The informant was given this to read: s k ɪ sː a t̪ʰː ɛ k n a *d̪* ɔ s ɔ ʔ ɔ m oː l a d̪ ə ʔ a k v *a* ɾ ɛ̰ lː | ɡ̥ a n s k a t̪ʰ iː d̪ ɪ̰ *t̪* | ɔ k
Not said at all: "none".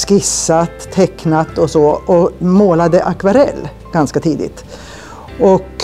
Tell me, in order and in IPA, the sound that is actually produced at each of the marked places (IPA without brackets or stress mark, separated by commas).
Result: t̪, a, t̪